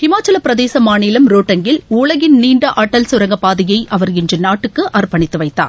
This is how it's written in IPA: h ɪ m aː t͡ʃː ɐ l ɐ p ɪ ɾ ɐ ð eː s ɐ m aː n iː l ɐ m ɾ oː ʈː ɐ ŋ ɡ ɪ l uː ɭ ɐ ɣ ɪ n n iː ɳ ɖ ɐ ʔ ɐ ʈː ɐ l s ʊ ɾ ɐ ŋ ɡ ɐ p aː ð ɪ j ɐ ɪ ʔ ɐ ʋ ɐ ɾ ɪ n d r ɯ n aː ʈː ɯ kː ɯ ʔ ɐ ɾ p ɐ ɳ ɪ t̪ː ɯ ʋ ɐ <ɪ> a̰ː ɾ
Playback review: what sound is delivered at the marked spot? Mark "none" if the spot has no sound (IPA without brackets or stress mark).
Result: ɪː